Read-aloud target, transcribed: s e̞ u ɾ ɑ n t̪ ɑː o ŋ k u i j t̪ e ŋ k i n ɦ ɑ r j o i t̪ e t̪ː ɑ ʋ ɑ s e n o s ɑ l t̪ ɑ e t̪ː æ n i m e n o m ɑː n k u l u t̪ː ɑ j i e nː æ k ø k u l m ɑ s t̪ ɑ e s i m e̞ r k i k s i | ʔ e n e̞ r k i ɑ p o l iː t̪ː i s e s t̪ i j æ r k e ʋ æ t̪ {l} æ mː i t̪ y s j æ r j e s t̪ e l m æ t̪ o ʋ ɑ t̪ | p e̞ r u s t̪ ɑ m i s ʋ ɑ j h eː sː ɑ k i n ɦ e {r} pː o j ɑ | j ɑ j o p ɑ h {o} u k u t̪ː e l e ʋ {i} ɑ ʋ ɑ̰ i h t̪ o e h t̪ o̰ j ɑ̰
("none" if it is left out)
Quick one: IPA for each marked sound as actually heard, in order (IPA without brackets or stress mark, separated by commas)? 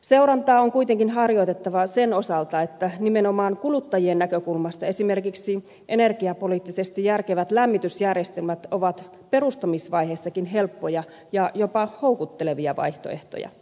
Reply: l, l, o, i